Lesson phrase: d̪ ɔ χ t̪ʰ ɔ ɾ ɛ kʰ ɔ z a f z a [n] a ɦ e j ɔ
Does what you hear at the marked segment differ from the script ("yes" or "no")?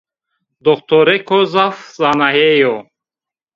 no